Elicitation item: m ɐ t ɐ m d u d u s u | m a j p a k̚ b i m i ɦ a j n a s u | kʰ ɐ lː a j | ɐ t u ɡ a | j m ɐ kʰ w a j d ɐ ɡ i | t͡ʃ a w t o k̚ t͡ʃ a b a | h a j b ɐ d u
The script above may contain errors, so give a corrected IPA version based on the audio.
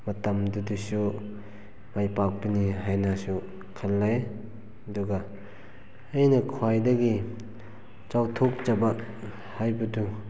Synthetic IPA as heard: m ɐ t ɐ m d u d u s u | m a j p a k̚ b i n i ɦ a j n a s u | kʰ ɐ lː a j | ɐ d u ɡ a | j n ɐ kʰ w a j d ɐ ɡ i | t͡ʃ a w tʰ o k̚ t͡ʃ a b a | h a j b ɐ d u